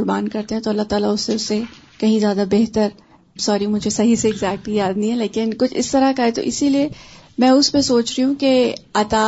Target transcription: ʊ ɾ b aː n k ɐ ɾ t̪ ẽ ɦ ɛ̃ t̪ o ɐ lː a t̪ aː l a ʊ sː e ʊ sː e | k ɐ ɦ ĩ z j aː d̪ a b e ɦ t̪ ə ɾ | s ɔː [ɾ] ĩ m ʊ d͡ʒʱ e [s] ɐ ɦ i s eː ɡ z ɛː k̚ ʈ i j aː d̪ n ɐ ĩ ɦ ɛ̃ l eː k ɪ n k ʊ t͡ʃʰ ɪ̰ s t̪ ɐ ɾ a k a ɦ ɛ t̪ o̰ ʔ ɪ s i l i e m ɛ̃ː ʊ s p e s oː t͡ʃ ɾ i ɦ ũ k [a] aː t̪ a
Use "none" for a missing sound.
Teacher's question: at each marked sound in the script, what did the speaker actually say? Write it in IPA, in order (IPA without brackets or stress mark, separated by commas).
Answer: ɾ, s, e